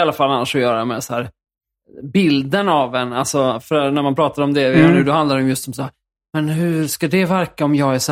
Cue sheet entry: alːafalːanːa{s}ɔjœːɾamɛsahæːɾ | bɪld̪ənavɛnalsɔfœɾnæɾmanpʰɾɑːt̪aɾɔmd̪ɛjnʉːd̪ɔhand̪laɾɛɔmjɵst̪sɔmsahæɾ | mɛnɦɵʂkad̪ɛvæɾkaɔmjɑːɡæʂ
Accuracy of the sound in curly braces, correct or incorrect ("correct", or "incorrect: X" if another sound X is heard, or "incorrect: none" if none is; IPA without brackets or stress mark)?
incorrect: ʂ